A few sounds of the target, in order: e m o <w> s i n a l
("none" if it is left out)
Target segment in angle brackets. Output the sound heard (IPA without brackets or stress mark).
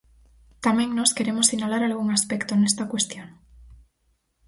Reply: none